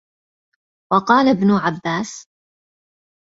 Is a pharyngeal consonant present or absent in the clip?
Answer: present